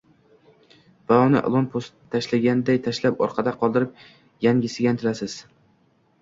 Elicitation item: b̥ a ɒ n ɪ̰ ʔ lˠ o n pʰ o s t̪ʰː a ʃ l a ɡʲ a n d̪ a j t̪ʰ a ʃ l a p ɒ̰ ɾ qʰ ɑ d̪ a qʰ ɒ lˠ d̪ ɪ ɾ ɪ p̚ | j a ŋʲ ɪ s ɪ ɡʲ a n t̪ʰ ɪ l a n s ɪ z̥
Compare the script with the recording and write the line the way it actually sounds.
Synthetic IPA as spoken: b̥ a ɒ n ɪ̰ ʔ lˠ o n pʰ o s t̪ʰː a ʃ l a ɡʲ a n d̪ a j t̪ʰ a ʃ l a p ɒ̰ ɾ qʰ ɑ d̪ a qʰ ɒ lˠ d̪ ɪ ɾ ɪ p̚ | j a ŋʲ ɪ s ɪ ɡʲ a n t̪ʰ ɪ l a s ɪ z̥